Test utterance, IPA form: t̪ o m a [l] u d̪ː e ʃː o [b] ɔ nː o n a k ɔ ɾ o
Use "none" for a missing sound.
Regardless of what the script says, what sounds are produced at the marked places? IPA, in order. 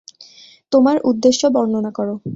ɾ, b

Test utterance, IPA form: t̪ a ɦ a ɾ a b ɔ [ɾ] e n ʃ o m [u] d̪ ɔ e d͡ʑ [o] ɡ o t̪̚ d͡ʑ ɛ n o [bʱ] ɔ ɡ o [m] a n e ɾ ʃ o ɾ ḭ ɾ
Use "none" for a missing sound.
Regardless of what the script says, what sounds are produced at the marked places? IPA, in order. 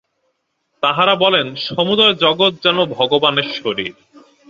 l, u, ɔ, bʱ, b

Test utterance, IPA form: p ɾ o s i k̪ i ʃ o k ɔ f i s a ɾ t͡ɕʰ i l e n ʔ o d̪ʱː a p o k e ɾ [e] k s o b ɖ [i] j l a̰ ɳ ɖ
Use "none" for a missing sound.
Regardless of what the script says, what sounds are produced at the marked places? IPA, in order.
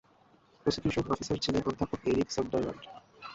i, a

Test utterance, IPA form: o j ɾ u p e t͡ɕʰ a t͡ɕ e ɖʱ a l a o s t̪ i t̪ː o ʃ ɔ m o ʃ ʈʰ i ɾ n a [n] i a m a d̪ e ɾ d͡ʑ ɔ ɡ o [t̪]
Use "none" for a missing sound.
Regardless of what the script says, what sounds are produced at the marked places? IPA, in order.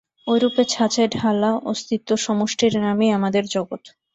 m, t̪

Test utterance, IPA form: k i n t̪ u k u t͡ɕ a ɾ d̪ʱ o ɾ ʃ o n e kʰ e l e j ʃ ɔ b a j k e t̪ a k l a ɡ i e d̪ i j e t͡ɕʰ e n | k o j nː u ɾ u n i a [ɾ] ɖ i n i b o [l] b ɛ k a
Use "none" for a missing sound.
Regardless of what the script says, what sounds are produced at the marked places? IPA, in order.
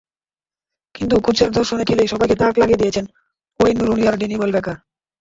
ɾ, l

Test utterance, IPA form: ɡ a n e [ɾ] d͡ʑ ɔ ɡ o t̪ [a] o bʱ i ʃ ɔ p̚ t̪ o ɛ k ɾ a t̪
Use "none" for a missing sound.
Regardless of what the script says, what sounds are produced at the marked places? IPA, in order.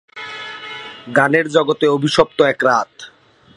ɾ, e

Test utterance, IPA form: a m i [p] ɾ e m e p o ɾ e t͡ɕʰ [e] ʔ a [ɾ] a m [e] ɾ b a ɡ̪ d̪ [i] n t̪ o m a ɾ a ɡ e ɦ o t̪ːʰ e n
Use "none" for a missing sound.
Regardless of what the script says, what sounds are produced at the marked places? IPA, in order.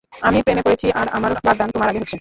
p, i, ɾ, a, a

